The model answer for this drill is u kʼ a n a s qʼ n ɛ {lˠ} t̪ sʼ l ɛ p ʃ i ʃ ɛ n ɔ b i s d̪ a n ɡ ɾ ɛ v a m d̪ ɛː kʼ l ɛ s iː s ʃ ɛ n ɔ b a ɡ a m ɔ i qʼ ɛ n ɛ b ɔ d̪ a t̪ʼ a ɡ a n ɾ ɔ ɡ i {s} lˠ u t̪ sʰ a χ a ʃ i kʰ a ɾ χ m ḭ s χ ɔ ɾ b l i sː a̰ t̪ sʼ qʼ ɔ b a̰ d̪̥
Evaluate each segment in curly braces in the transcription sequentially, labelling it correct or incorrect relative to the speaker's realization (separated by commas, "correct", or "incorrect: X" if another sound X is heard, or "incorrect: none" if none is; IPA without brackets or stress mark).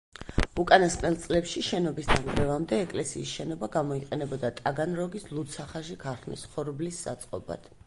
correct, correct